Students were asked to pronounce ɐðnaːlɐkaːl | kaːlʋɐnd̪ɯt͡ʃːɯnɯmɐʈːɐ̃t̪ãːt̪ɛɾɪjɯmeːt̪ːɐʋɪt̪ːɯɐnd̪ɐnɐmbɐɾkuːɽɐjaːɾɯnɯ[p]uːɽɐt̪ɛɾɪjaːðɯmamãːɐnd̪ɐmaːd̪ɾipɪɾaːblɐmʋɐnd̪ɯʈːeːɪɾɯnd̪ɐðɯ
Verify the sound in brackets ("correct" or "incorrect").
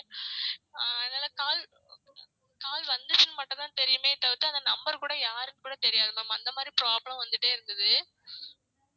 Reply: incorrect